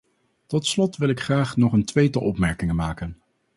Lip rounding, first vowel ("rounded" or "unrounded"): rounded